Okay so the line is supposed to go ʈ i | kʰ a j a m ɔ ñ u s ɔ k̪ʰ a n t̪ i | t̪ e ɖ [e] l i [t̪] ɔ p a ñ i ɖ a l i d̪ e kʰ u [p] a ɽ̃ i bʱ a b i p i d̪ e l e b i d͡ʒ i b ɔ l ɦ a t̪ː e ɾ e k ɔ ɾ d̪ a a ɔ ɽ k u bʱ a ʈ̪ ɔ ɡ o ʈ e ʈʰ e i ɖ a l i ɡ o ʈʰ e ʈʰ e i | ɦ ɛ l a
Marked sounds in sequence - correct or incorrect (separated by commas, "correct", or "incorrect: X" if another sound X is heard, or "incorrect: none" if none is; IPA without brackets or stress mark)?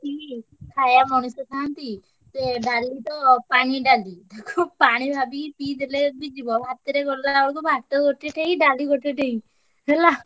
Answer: incorrect: a, correct, correct